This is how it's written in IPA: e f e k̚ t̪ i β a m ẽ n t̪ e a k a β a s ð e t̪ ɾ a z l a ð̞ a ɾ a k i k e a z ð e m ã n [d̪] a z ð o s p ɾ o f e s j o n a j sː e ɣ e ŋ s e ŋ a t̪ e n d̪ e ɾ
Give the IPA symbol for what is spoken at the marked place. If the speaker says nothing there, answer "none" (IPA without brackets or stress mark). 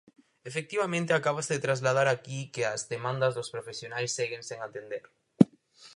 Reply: d̪